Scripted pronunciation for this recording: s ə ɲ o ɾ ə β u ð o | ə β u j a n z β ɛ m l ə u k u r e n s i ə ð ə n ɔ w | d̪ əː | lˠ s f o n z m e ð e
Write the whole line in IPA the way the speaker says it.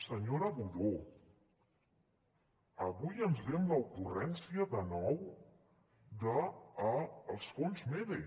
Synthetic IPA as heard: s ə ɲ o ɾ ə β u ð o | ə β u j ə n z β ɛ m l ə u k u r ɛ n s i ə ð ə n ɔ w | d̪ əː | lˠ s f o n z m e ð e